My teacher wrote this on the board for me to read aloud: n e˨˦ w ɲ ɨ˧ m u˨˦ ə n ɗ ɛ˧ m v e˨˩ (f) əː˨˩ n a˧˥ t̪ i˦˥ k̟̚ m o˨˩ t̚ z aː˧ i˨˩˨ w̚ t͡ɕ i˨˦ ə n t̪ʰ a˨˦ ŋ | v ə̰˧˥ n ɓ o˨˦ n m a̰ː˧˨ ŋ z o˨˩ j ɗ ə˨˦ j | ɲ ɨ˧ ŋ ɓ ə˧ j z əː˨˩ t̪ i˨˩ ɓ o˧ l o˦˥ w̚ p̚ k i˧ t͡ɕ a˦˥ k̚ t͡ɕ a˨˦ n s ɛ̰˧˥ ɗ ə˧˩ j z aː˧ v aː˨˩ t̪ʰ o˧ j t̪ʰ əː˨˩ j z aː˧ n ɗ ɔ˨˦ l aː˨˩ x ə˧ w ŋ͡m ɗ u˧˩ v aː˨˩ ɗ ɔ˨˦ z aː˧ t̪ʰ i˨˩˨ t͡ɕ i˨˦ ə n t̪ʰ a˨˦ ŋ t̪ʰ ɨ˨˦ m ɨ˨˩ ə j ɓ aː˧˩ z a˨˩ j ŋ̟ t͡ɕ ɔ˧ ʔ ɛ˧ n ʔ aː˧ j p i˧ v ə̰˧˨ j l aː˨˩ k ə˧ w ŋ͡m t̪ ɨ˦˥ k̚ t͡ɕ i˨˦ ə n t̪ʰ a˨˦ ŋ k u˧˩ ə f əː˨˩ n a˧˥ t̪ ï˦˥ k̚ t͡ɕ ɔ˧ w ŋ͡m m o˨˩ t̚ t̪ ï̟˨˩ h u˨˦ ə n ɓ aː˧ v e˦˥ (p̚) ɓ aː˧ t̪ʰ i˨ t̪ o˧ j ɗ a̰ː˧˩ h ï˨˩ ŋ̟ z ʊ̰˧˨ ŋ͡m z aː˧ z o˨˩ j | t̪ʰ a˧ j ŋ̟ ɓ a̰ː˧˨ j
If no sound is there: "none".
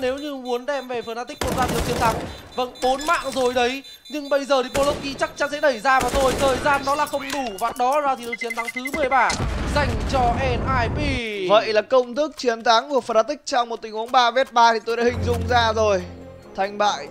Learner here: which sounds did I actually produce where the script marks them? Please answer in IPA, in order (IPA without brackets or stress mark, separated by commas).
f, t̚